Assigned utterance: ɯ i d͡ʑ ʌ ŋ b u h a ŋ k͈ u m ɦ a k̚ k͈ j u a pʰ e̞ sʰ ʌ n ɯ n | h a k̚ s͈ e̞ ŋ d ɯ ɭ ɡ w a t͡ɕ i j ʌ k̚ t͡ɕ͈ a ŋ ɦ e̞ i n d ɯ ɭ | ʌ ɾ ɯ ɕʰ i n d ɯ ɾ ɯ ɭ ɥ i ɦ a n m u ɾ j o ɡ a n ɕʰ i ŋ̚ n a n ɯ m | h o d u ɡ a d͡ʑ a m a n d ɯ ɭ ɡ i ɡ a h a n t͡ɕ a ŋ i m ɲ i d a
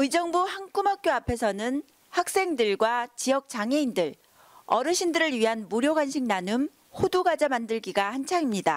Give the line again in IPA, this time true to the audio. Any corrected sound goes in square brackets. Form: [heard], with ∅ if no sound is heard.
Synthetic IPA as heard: ɯ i d͡ʑ ʌ ŋ b u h a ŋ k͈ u m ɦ a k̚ k͈ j [o] a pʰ e̞ sʰ ʌ n ɯ n | h a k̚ s͈ e̞ ŋ d ɯ ɭ ɡ w a t͡ɕ i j ʌ k̚ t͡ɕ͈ a ŋ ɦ e̞ i n d ɯ ɭ | ʌ ɾ ɯ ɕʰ i n d ɯ ɾ ɯ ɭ ɥ i ɦ a n m u ɾ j o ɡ a n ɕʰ i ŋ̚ n a n ɯ m | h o d u ɡ a d͡ʑ a m a n d ɯ ɭ ɡ i ɡ a h a n [t͡ɕʰ] a ŋ i m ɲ i d a